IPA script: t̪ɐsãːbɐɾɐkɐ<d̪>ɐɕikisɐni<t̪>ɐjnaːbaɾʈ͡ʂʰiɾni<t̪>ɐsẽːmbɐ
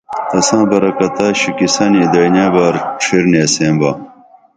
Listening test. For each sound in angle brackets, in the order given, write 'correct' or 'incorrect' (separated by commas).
incorrect, incorrect, incorrect